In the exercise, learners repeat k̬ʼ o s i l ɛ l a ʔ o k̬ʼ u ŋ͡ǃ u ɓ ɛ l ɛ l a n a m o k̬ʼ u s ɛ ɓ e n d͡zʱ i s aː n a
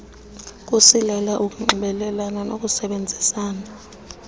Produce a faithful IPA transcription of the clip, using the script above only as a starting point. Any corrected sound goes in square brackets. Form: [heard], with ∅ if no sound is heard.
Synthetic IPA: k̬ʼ [u] s i l ɛ l a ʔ [u] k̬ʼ u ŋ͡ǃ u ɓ ɛ l ɛ l a n a [n] o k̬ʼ u s ɛ ɓ e n d͡zʱ i s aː n a